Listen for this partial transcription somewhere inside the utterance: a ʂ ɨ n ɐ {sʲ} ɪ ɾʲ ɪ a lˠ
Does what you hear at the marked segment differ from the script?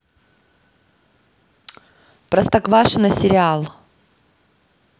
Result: no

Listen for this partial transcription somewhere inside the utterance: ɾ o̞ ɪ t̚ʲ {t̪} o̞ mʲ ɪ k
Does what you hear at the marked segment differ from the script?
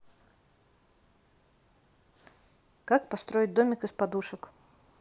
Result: yes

